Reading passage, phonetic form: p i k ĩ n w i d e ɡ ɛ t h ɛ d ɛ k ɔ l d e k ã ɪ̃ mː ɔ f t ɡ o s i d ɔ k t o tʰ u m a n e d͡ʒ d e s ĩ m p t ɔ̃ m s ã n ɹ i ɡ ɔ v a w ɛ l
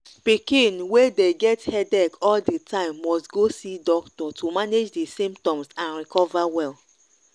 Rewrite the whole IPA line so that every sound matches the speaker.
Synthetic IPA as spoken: p i k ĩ n w e d e ɡ ɛ t h ɛ d ɛ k ɔ l d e t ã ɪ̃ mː ɔ s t ɡ o s i d ɔ k t ɔ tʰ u m a n e d͡ʒ d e s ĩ m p t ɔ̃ m s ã n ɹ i k ɔ v a w ɛ l